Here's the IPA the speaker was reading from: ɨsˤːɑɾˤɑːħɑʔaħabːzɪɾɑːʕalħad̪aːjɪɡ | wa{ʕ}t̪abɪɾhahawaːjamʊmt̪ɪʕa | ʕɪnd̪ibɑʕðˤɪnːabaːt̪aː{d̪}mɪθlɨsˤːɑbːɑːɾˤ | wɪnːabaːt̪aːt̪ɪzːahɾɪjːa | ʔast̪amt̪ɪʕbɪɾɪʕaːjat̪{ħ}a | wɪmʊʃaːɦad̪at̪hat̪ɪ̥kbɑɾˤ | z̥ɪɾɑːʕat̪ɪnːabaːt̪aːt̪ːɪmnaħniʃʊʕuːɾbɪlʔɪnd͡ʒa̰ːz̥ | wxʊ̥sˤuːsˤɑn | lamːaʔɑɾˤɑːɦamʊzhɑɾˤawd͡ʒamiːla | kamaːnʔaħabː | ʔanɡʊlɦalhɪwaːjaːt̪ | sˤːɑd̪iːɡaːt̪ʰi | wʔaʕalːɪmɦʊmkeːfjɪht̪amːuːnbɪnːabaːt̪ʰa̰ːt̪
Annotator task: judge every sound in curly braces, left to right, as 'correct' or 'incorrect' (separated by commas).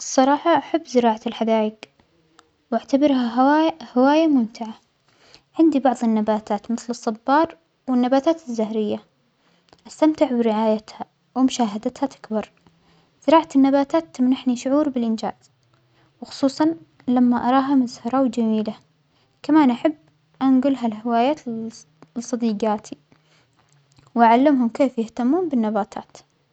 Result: correct, incorrect, incorrect